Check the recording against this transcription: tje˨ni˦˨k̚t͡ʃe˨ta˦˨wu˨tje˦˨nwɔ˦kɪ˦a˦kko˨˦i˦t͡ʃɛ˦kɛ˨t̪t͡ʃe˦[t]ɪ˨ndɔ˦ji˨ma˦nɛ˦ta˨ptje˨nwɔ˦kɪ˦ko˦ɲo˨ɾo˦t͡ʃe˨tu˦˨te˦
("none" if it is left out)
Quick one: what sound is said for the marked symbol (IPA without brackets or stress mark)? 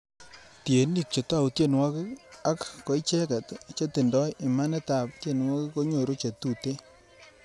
t